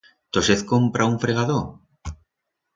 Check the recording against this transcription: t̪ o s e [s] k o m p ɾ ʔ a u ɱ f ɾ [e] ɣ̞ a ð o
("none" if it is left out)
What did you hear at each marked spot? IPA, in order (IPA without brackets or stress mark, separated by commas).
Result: θ, e